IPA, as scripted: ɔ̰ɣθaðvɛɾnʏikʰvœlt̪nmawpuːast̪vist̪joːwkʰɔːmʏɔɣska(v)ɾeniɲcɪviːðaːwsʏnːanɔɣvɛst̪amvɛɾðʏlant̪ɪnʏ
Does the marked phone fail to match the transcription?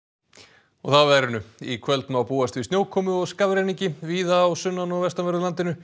no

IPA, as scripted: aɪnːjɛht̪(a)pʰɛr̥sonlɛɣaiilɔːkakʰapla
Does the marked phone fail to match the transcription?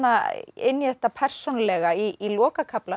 no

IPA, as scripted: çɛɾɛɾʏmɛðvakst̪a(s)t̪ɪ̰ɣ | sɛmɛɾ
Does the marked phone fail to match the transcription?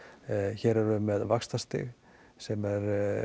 no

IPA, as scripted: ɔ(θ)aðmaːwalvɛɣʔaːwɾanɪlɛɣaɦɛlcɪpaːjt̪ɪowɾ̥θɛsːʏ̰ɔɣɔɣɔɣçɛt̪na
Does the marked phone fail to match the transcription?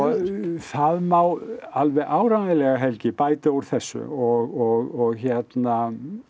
no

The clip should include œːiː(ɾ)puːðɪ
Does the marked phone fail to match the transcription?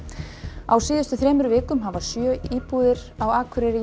yes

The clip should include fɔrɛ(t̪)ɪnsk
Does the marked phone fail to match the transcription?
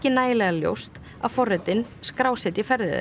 no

